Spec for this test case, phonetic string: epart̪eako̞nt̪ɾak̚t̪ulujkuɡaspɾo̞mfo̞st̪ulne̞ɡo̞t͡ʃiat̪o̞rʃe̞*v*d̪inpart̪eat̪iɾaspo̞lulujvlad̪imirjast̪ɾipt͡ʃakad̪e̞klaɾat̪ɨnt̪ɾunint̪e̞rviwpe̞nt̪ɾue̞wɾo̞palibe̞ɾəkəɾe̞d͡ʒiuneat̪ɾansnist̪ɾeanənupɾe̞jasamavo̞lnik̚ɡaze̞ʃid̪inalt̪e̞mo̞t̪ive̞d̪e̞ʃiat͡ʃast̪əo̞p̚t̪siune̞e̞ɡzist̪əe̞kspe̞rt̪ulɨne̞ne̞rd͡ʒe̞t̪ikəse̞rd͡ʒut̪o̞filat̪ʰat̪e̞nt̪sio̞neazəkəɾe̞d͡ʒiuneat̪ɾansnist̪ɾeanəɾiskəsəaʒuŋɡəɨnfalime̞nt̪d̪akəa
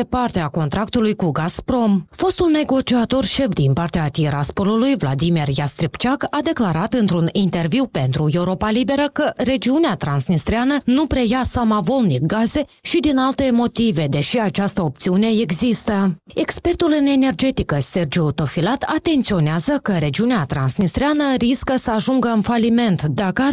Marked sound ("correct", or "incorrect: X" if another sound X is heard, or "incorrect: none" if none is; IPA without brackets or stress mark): incorrect: f